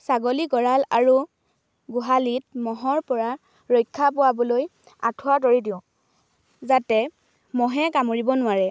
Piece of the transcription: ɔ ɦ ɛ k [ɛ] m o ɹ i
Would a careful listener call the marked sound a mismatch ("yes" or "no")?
yes